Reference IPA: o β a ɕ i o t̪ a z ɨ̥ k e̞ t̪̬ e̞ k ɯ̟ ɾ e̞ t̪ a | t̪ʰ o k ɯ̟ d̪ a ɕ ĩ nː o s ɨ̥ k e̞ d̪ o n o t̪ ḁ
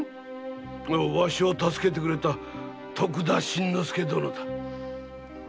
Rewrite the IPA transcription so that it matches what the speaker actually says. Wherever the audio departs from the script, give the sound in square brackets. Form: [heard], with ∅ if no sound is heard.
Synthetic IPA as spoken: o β a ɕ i o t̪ a [s] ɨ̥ k e̞ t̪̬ e̞ k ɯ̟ ɾ e̞ t̪ a | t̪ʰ o k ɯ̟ d̪ a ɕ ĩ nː o s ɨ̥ k e̞ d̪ o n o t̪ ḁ